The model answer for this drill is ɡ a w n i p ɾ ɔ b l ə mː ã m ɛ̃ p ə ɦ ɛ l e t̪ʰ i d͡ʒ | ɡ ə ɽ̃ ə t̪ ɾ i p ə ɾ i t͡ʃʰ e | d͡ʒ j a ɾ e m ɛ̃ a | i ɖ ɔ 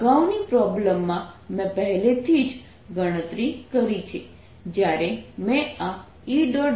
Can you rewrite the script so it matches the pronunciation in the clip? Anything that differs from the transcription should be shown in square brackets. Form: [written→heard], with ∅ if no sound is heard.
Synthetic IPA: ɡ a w n i p ɾ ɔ b l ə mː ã m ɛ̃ p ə ɦ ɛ l e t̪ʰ i d͡ʒ | ɡ ə ɽ̃ ə t̪ ɾ i [p→k] ə ɾ i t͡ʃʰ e | d͡ʒ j a ɾ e m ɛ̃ a | i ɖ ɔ

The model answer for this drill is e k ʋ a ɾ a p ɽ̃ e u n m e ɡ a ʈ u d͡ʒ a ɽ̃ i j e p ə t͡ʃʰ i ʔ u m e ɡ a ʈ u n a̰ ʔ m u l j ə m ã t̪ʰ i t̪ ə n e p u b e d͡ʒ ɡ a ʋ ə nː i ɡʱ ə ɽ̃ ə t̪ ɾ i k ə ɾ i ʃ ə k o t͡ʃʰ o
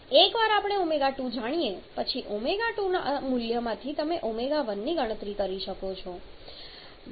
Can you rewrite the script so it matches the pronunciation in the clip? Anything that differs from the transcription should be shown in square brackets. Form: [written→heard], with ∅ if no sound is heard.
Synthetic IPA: e k ʋ a ɾ a p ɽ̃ e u [n→∅] m e ɡ a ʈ u d͡ʒ a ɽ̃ i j e p ə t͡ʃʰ i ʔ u m e ɡ a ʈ u n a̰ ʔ m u l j ə m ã t̪ʰ i t̪ ə [n→m] e [p→ʔ] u [b→m] e [d͡ʒ→∅] ɡ a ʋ ə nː i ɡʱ ə ɽ̃ ə t̪ ɾ i k ə ɾ i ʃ ə k o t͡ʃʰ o

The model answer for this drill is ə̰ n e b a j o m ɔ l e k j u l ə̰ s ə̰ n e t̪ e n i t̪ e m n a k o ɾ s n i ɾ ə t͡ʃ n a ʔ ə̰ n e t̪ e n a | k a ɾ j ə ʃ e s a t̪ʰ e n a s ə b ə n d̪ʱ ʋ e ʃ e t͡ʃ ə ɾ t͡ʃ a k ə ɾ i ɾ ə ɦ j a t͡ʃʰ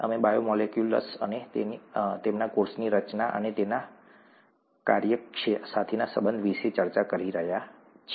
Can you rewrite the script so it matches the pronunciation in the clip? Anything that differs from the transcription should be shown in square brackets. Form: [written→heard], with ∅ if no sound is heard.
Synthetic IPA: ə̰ [n→m] e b a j o m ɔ l e k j u l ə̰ s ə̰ n e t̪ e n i t̪ e m n a k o ɾ s n i ɾ ə t͡ʃ n a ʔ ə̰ n e t̪ e n a | k a ɾ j ə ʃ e s a t̪ʰ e n a s ə b ə n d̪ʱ ʋ [e→i] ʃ e t͡ʃ ə ɾ t͡ʃ a k ə ɾ i ɾ ə ɦ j a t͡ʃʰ

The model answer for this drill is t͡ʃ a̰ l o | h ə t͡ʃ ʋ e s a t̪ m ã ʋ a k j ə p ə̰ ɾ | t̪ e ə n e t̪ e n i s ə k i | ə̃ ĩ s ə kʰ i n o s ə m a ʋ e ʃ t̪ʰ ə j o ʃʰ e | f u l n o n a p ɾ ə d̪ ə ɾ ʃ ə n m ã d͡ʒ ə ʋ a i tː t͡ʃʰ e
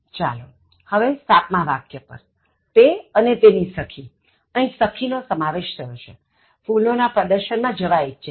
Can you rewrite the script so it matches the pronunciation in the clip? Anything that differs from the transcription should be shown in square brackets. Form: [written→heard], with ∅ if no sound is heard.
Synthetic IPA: t͡ʃ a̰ l o | h ə [t͡ʃ→∅] ʋ e s a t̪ m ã ʋ a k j ə p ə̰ ɾ | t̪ e ə n e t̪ e n i s ə [k→kʰ] i | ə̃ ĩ s ə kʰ i n o s ə m a ʋ e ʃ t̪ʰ ə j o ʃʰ e | f u l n o n a p ɾ ə d̪ ə ɾ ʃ ə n m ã d͡ʒ ə ʋ a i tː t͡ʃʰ e

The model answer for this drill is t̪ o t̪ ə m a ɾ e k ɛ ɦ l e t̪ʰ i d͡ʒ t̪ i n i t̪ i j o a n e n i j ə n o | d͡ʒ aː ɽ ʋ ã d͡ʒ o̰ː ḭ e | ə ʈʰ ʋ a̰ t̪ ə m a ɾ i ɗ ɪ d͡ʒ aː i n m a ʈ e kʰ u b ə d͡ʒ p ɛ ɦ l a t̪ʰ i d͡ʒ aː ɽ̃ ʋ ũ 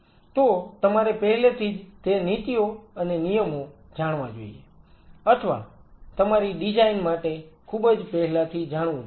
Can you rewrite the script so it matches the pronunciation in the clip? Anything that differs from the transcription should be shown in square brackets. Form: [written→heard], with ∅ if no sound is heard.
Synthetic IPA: t̪ o t̪ ə m a ɾ e [k→p] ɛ ɦ l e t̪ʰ i d͡ʒ t̪ [i→e] n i t̪ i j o [a→ə] n e n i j ə [n→m] o | d͡ʒ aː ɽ ʋ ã d͡ʒ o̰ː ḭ e | ə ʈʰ ʋ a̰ t̪ ə m a ɾ i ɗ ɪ d͡ʒ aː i n m a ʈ e kʰ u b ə d͡ʒ p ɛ ɦ l a t̪ʰ i d͡ʒ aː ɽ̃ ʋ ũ

